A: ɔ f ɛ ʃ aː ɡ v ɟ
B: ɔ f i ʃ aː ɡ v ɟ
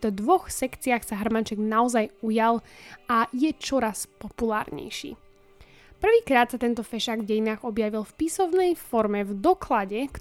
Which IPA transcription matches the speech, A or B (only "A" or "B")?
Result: A